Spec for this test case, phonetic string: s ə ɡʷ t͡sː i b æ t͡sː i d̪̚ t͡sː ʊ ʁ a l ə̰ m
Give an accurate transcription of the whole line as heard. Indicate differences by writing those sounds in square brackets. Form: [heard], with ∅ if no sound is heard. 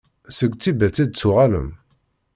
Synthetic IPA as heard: s ə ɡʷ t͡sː i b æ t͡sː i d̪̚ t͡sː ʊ ʁ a l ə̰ m